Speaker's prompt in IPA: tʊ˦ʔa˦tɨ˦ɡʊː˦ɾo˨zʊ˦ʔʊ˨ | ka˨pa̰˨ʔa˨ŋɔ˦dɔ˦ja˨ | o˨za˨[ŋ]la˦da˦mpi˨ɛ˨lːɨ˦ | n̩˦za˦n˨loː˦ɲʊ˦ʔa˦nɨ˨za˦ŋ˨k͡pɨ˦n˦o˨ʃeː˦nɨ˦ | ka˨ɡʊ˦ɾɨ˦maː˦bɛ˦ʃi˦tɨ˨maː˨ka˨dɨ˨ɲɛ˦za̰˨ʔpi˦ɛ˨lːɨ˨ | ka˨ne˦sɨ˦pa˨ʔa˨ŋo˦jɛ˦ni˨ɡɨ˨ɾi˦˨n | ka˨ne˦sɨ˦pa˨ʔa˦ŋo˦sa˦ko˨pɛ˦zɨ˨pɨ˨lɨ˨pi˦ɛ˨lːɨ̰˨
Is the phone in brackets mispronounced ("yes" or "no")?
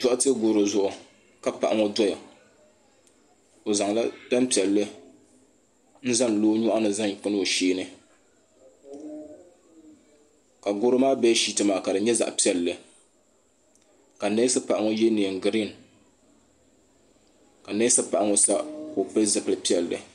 no